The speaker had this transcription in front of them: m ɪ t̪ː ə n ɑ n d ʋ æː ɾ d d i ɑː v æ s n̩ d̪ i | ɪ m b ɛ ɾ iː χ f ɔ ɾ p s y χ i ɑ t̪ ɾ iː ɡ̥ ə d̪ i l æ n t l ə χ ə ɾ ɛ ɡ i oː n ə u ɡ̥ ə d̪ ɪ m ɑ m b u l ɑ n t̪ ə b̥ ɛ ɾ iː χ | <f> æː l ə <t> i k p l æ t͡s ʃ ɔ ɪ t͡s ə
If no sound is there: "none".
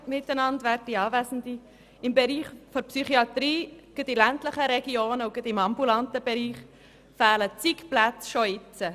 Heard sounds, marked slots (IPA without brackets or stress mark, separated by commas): f, t͡s